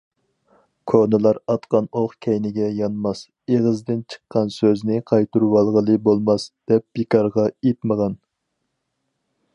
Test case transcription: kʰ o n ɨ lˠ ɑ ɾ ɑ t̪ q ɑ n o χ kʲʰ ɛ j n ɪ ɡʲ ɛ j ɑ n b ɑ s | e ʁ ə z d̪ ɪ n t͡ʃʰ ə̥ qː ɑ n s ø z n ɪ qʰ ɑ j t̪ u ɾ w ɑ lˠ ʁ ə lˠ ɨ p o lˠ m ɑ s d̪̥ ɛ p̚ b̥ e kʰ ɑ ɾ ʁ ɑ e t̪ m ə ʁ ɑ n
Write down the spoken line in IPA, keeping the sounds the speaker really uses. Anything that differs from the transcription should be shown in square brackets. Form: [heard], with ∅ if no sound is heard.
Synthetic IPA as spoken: kʰ o n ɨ lˠ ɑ ɾ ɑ t̪ q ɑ n o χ kʲʰ ɛ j n ɪ ɡʲ ɛ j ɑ n [m] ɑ s | e ʁ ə z d̪ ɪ n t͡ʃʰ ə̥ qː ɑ n s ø z n ɪ qʰ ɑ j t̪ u ɾ w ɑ lˠ ʁ ə lˠ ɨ [b] o lˠ m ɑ s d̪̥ ɛ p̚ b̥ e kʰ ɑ ɾ ʁ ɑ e t̪ m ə ʁ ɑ n